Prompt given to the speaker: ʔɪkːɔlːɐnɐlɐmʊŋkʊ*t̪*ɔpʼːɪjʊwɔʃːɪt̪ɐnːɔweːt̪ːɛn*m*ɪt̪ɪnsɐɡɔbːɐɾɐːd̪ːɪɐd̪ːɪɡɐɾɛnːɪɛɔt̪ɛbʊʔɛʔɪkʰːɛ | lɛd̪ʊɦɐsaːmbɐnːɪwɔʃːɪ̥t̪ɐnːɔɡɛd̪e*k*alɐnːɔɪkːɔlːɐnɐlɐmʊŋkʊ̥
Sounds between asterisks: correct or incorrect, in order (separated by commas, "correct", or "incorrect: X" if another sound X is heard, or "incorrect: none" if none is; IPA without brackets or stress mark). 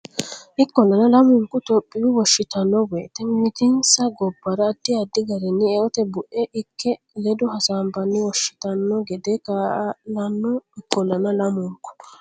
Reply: correct, correct, correct